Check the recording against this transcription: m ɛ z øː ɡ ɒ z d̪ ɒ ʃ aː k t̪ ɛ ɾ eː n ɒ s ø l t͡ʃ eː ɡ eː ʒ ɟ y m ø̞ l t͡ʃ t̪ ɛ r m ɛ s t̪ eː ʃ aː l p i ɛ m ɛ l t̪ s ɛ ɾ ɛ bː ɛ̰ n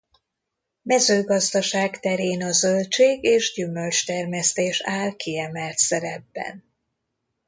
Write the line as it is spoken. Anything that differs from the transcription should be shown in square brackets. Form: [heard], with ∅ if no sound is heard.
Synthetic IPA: m ɛ z øː ɡ ɒ z d̪ ɒ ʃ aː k t̪ ɛ ɾ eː n ɒ [z] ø l t͡ʃ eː ɡ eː ʒ ɟ y m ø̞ l t͡ʃ t̪ ɛ r m ɛ s t̪ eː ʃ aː l [k] i ɛ m ɛ l t̪ s ɛ ɾ ɛ bː ɛ̰ n